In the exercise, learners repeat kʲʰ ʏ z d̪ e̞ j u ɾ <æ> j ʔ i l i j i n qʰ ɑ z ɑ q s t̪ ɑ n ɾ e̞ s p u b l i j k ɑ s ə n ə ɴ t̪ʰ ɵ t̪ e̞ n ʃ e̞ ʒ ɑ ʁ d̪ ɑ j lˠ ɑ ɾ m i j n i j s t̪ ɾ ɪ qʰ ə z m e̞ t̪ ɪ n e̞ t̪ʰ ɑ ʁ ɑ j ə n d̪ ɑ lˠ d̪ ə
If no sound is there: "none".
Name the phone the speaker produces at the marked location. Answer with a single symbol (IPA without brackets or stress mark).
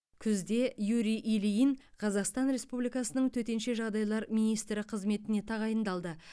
i